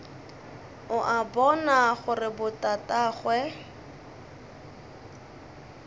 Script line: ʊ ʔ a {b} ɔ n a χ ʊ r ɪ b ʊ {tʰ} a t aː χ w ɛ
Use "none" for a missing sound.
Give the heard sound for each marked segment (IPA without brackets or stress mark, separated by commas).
b, t